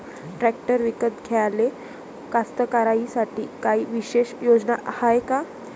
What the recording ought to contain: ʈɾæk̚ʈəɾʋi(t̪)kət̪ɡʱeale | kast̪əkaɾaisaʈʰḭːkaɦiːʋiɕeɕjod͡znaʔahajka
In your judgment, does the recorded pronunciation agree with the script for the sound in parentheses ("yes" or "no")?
no